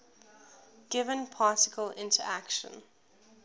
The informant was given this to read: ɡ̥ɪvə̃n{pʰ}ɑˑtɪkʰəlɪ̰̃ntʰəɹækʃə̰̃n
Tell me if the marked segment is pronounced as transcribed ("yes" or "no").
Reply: yes